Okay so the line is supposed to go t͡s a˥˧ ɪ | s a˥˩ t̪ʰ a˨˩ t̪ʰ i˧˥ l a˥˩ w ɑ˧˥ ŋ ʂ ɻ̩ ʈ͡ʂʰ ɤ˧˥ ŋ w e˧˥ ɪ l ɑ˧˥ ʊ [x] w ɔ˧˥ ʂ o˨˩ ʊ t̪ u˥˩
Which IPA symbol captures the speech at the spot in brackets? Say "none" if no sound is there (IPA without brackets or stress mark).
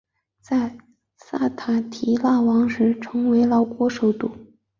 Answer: k